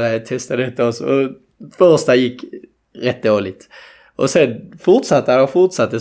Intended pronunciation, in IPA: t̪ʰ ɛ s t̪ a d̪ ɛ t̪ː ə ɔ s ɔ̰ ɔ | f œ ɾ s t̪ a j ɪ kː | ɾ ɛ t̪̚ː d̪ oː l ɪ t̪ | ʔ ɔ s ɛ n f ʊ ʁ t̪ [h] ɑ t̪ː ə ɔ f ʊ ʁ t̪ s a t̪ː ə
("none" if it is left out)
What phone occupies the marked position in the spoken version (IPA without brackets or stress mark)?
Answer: s